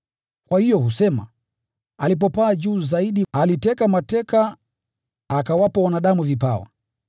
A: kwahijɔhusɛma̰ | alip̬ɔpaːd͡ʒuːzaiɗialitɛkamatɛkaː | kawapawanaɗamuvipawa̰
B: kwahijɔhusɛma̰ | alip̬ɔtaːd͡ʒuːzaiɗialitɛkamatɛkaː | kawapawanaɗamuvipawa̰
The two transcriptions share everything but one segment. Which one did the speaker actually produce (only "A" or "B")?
A